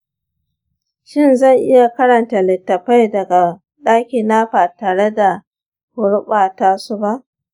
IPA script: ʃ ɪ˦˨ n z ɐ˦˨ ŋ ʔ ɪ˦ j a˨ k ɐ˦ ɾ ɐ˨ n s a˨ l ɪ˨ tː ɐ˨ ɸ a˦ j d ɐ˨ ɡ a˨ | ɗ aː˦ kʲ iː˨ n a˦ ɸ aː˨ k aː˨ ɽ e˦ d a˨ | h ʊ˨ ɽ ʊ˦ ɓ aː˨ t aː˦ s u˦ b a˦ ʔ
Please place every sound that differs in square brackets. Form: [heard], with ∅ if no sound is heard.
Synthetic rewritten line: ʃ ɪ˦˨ n z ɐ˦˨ ŋ ʔ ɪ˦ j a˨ k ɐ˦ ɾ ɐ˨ n [t] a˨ l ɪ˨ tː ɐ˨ ɸ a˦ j d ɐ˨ ɡ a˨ | ɗ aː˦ kʲ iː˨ n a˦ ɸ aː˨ [t] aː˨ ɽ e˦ d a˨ | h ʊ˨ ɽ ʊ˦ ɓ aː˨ t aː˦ s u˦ b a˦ ʔ